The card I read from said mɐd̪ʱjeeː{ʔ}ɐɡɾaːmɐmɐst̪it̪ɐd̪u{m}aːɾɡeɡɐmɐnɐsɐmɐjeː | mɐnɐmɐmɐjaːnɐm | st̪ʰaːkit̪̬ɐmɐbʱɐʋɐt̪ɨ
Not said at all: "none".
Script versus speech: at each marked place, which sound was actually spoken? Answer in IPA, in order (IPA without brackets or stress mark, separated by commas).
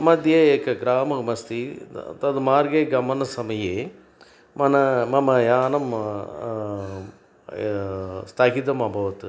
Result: k, m